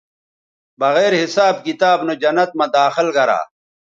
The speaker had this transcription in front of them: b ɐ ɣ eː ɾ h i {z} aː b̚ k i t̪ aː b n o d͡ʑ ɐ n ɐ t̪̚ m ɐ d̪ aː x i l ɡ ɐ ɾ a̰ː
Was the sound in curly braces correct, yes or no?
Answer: no